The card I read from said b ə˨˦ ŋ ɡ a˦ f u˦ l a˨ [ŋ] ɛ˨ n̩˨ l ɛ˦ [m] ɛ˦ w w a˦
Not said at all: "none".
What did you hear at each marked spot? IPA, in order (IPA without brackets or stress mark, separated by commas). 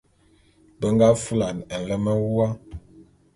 n, m